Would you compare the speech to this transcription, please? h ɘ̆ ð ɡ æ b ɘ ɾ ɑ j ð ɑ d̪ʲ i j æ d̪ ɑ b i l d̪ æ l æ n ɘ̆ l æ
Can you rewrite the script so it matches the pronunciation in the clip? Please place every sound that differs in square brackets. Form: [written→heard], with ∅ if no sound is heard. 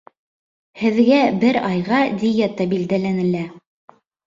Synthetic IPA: h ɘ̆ ð ɡ æ b ɘ ɾ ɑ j [ð→ʁ] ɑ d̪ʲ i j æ [d̪→t̪] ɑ b i l d̪ æ l æ n ɘ̆ l æ